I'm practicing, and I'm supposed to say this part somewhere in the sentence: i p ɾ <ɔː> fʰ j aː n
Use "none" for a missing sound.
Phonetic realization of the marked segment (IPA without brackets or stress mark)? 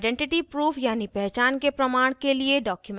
uː